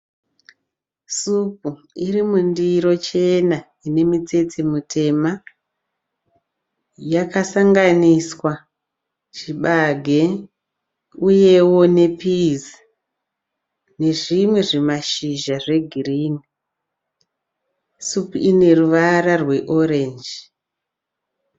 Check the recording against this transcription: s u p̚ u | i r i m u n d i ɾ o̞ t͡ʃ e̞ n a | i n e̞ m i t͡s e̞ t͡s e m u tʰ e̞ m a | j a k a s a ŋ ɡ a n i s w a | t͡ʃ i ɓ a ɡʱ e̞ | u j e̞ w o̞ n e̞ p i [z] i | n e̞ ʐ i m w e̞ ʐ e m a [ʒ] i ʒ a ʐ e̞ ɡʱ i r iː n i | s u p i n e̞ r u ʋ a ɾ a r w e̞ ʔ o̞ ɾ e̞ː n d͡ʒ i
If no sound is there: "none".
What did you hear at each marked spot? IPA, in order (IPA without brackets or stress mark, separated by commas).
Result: z, ʃ